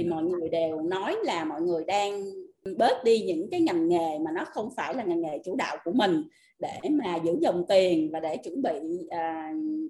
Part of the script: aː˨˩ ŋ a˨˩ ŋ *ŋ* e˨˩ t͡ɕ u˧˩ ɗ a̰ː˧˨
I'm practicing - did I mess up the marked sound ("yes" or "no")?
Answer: no